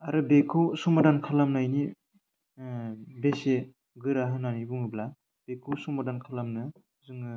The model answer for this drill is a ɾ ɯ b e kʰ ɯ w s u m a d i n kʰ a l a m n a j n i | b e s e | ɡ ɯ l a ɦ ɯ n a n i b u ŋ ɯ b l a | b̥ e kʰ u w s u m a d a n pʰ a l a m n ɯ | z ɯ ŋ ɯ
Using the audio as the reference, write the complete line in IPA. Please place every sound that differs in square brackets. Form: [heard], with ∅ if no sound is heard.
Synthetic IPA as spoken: a ɾ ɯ b e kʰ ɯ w s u m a d [a] n kʰ a l a m n a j n i | b e s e | ɡ ɯ [ɾ] a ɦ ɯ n a n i b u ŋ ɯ b l a | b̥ e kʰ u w s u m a d a n [kʰ] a l a m n ɯ | z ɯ ŋ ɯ